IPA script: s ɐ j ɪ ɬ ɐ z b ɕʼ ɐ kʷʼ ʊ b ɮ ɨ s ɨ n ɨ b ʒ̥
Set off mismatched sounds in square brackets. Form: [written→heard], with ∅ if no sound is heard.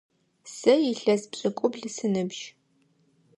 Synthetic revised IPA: s ɐ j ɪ ɬ ɐ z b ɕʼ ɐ kʷʼ ʊ b ɮ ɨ s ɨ n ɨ b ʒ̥